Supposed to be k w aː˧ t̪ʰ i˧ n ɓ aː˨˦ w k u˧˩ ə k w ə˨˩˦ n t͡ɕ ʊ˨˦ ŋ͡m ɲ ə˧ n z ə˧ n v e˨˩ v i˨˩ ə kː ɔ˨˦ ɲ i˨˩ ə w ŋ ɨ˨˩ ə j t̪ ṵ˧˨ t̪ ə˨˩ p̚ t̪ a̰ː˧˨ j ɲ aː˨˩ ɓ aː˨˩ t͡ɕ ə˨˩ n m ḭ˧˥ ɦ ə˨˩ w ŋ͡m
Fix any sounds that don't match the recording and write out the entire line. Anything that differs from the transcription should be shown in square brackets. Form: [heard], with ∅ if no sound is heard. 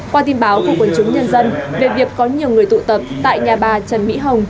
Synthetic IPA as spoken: k w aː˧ [t̪] i˧ n ɓ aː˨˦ w k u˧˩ ə k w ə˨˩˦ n t͡ɕ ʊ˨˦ ŋ͡m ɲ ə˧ n z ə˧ n v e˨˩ v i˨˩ ə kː ɔ˨˦ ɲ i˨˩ ə w ŋ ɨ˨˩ ə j t̪ ṵ˧˨ t̪ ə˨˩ p̚ t̪ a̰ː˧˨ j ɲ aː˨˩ ɓ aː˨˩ t͡ɕ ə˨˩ n m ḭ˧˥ ɦ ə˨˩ w ŋ͡m